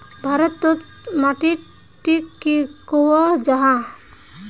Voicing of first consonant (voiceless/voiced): voiced